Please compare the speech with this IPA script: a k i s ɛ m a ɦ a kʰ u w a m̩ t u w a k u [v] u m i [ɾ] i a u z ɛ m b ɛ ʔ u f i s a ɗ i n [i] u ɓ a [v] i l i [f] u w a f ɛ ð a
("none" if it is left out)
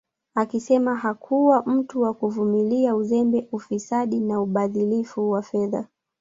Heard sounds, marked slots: v, l, a, ð, f

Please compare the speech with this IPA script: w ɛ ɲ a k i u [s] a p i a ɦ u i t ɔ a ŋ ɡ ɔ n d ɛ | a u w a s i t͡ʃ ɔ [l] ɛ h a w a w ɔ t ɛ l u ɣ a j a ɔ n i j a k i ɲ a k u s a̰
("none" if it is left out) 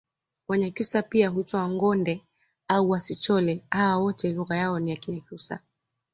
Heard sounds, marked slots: s, l

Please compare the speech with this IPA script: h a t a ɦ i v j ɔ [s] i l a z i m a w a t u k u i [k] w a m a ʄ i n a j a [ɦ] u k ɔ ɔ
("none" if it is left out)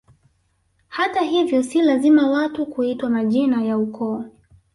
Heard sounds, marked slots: s, t, none

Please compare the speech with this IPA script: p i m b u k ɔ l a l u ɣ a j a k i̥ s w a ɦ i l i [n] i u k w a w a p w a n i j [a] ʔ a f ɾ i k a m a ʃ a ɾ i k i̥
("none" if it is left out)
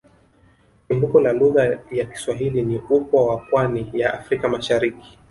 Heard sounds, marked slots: n, a

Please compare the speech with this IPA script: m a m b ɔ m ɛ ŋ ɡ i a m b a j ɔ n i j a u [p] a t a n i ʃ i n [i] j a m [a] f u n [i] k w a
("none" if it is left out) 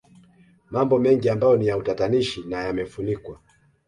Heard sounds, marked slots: t, a, ɛ, i

